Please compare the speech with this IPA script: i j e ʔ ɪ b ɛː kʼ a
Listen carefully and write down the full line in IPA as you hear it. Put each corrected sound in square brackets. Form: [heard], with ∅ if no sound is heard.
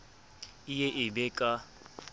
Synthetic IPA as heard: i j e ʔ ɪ b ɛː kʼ a